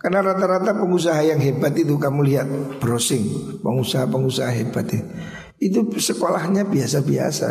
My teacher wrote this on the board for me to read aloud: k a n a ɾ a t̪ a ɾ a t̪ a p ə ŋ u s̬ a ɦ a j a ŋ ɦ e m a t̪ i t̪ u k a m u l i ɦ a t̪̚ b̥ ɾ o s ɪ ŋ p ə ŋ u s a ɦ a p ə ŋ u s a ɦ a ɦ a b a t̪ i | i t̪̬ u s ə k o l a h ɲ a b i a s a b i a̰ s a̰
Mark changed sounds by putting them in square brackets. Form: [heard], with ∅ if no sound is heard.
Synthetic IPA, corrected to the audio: k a n a ɾ a t̪ a ɾ a t̪ a p ə ŋ u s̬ a ɦ a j a ŋ ɦ e [b] a t̪ i t̪ u k a m u l i ɦ a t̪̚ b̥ ɾ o s ɪ ŋ p ə ŋ u s a ɦ a p ə ŋ u s a ɦ a ɦ [e] b a t̪ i | i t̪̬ u s ə k o l a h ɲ a b i a s a b i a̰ s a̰